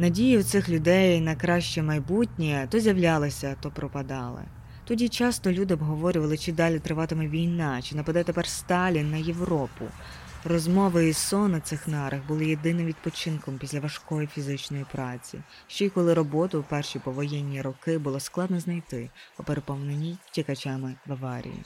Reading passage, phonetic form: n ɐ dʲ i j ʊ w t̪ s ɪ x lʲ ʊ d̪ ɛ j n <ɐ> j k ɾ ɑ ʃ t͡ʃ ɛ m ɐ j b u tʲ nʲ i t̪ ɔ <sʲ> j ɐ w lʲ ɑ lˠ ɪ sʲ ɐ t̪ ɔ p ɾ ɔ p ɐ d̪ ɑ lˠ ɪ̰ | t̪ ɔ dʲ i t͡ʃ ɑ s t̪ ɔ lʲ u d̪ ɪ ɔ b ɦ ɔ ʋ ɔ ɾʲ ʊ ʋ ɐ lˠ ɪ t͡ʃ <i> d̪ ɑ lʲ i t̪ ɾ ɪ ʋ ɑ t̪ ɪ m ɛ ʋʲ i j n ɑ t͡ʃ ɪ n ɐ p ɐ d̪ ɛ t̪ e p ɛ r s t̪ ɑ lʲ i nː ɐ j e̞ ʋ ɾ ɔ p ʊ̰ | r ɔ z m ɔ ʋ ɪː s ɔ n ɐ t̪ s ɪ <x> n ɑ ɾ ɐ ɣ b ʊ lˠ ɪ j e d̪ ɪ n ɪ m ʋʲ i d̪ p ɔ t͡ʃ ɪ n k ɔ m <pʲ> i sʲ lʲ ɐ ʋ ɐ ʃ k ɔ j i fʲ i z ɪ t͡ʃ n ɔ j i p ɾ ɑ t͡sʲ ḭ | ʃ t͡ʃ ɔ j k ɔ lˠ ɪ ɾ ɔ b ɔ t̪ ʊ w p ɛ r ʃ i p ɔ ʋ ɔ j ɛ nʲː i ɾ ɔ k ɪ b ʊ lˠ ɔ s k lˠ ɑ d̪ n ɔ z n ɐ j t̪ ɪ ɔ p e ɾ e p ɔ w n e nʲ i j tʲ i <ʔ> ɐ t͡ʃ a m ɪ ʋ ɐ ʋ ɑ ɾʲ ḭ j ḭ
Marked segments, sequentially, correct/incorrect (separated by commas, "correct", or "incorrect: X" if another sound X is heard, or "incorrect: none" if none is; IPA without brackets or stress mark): correct, incorrect: zʲ, incorrect: ɪ, correct, correct, incorrect: k